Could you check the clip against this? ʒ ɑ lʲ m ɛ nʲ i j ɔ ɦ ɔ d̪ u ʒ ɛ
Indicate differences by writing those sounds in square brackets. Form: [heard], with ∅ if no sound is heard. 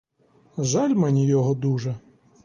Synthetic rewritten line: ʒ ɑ lʲ m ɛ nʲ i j ɔ ɦ ɔ d̪ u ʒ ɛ

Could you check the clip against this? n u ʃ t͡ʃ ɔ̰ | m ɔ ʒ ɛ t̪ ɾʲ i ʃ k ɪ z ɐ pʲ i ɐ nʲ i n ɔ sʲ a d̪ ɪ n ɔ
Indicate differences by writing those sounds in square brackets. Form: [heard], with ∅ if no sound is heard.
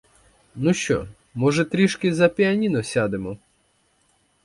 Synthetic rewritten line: n u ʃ t͡ʃ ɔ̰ | m ɔ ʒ ɛ t̪ ɾʲ i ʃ k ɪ z ɐ pʲ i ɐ nʲ i n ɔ sʲ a d̪ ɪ [m] ɔ

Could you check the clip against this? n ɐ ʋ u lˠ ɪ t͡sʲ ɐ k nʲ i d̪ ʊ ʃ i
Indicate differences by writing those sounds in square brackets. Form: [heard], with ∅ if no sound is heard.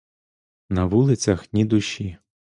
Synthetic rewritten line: n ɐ ʋ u lˠ ɪ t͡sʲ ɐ [x] nʲ i d̪ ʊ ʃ i

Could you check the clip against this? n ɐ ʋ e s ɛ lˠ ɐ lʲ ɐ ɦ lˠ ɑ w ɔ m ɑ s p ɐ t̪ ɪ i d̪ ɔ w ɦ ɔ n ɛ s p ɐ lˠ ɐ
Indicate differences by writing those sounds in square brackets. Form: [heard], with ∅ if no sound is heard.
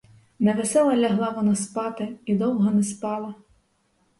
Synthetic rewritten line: n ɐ ʋ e s ɛ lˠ ɐ lʲ ɐ ɦ lˠ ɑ [ʋ] ɔ [n] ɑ s p [ɑ] t̪ ɪ i d̪ ɔ w ɦ ɔ n ɛ s p [ɑ] lˠ ɐ

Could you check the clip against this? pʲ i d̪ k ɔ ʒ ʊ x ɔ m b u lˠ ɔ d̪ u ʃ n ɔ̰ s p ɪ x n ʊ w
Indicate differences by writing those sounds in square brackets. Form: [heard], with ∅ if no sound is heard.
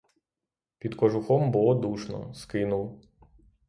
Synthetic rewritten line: pʲ i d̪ k ɔ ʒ ʊ x ɔ m b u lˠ ɔ d̪ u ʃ n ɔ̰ s [k] ɪ [∅] n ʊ w

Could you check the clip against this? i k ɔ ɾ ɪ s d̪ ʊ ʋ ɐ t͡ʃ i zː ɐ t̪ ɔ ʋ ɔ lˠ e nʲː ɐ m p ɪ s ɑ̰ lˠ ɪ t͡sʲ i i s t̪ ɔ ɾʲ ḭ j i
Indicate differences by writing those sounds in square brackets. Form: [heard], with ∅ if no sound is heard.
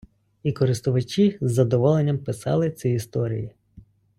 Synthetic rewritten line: i k ɔ ɾ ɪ s [t̪] ʊ ʋ ɐ t͡ʃ i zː ɐ [d̪] ɔ ʋ ɔ lˠ e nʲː ɐ m p ɪ s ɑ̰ lˠ ɪ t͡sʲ i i s t̪ ɔ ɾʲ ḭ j i

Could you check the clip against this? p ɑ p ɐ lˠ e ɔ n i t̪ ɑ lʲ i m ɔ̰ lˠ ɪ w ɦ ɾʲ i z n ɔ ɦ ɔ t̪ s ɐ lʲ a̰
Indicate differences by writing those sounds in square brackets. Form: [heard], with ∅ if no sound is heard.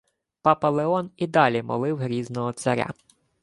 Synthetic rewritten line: p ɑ p ɐ lˠ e ɔ n i [d̪] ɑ lʲ i m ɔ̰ lˠ ɪ w ɦ ɾʲ i z n ɔ ɦ ɔ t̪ s ɐ [ɾʲ] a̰

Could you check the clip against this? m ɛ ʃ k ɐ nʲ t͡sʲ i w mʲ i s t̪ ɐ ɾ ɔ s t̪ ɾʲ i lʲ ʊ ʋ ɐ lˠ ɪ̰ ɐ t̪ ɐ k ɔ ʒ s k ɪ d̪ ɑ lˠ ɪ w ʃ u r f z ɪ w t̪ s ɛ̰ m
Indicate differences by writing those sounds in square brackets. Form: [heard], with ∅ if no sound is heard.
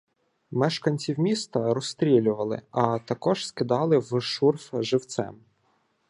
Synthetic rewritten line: m ɛ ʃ k ɐ nʲ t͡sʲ i w mʲ i s t̪ ɐ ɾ ɔ s t̪ ɾʲ i lʲ ʊ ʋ ɐ lˠ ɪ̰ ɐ t̪ ɐ k ɔ ʒ s k ɪ d̪ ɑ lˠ ɪ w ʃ u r f [ʒ] ɪ w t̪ s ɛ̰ m

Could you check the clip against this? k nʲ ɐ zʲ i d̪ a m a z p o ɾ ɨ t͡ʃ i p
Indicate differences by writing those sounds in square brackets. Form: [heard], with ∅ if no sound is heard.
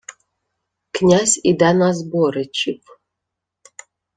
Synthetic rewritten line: k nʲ [a] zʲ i d̪ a [n] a z [b] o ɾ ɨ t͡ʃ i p

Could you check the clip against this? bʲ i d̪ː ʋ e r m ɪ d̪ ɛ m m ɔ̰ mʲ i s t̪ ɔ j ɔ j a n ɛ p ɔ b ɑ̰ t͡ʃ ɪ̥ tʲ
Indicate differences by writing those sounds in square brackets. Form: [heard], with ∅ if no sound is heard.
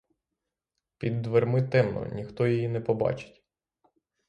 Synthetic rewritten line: [pʲ] i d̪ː ʋ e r m ɪ [t̪] ɛ m [n] ɔ̰ [nʲ] i [x] t̪ ɔ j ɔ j [i] n ɛ p ɔ b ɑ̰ t͡ʃ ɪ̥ tʲ

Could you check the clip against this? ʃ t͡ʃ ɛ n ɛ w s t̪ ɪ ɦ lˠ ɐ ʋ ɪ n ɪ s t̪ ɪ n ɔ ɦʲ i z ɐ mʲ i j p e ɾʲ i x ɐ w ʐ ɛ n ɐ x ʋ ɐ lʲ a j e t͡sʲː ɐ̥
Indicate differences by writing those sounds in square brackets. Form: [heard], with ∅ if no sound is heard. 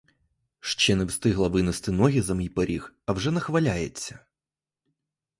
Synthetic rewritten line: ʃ t͡ʃ ɛ n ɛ w s t̪ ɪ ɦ lˠ ɐ ʋ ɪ n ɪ s t̪ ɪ n ɔ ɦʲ i z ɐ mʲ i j p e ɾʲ i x ɐ w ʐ ɛ n ɐ x ʋ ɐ lʲ a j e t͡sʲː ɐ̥

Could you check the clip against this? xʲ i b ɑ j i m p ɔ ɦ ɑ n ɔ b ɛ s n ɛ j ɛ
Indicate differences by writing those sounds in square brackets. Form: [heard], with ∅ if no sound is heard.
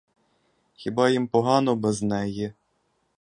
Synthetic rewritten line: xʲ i b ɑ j i m p ɔ ɦ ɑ n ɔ b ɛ [z] n ɛ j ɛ

